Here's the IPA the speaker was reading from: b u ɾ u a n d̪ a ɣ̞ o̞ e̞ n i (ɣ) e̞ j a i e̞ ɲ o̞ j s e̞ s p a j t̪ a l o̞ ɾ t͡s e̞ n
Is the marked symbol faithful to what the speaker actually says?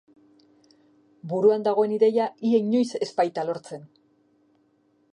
no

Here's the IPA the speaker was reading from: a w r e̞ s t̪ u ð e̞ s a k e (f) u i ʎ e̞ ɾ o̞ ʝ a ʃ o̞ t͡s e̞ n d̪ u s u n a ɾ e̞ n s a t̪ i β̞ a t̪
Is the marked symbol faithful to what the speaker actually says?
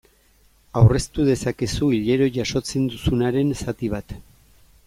no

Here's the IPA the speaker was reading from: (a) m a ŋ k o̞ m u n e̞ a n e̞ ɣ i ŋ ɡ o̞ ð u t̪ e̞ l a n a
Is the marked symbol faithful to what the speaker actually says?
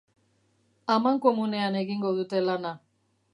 yes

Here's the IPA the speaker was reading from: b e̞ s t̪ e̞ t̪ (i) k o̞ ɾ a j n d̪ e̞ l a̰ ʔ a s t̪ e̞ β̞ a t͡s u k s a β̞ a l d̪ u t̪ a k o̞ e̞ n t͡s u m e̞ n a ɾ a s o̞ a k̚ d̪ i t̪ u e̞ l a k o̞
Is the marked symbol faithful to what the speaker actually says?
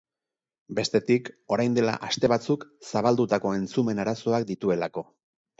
yes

